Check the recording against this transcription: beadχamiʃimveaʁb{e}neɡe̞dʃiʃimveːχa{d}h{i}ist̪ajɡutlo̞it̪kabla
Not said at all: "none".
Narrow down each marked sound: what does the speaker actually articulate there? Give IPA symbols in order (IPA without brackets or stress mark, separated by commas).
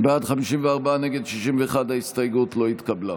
a, d, a